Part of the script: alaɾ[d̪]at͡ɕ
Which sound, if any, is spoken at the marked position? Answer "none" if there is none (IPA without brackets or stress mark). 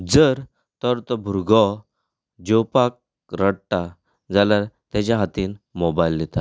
t̪